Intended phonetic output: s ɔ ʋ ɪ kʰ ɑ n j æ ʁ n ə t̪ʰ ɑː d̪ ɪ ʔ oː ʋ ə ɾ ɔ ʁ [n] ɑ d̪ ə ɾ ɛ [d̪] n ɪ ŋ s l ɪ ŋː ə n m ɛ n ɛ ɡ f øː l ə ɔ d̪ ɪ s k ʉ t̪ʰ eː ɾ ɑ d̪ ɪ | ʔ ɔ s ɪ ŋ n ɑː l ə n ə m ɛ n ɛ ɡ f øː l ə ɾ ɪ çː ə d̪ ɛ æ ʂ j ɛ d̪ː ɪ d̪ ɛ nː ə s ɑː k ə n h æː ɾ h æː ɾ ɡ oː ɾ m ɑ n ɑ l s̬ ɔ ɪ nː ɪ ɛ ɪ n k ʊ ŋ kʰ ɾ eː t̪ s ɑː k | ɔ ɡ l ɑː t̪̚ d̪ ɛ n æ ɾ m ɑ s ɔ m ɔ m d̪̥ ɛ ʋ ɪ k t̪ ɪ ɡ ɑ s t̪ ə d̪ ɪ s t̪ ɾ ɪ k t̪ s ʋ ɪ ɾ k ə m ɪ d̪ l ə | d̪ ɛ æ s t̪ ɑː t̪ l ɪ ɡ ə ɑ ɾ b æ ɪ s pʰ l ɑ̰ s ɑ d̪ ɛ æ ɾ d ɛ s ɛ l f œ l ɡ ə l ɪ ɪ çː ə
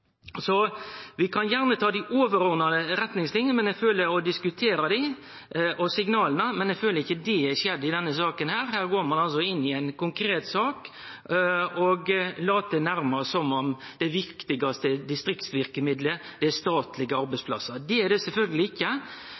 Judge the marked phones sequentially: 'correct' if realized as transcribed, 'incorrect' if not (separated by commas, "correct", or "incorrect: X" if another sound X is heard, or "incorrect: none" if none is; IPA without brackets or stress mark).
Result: correct, incorrect: t̪